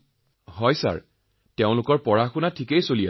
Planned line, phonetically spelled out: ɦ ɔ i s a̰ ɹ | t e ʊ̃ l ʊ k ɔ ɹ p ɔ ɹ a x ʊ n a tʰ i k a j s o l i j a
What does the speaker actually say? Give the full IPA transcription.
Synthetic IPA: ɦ ɔ j s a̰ ɹ | t e ʊ̃ l ʊ k ɔ ɹ p ɔ ɹ a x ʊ n a tʰ i k e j s o l i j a